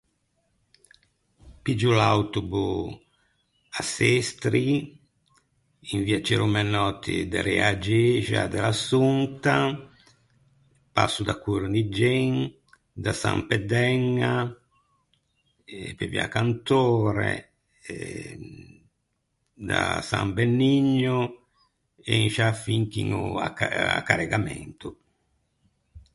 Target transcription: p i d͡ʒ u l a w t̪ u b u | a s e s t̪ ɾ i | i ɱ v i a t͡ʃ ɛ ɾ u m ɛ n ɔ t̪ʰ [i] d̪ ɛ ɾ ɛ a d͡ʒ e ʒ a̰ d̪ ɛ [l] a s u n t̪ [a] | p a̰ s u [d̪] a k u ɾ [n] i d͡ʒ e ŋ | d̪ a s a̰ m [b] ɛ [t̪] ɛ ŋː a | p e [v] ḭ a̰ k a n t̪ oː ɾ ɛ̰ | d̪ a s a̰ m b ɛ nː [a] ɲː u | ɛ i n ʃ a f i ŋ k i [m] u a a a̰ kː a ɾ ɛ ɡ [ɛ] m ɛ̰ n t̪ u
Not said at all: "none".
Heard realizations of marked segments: i, l, a, d̪, n, p, d̪, v, i, ŋ, a

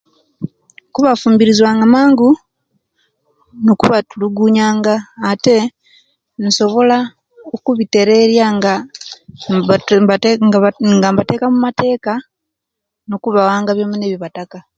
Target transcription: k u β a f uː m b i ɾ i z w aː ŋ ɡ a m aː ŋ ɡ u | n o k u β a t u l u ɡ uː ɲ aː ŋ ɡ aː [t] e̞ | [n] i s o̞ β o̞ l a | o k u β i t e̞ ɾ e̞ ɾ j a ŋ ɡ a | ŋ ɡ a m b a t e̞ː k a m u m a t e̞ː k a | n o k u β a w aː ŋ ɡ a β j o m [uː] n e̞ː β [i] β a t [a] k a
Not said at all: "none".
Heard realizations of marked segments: t, n, u, i, a

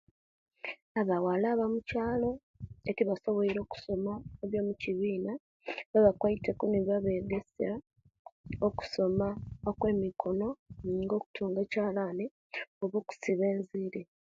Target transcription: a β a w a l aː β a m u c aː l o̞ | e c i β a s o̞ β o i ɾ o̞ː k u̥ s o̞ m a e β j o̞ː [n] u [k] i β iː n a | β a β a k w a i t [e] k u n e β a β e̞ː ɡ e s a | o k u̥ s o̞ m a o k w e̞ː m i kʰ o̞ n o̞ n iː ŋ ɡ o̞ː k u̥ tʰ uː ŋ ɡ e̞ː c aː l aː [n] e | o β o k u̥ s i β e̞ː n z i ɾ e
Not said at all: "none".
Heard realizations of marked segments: m, c, e, n

